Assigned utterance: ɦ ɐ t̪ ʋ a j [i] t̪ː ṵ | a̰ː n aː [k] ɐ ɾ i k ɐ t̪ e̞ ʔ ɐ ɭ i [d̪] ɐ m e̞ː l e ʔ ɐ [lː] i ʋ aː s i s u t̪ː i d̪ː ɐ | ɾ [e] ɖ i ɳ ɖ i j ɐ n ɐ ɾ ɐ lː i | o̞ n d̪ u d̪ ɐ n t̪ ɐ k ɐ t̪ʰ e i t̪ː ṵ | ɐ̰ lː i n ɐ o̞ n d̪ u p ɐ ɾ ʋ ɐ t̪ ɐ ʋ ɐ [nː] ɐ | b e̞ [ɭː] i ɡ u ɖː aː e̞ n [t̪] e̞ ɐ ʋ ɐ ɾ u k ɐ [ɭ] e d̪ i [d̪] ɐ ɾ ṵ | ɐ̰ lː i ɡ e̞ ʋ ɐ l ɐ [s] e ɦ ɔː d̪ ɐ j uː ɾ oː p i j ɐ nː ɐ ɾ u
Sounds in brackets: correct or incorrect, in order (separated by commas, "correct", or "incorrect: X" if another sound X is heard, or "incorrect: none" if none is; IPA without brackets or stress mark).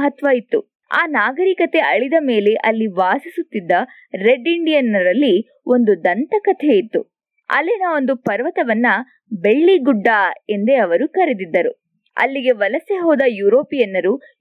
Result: correct, incorrect: ɡ, correct, correct, correct, correct, correct, incorrect: d̪, incorrect: ɾ, incorrect: d̪ː, correct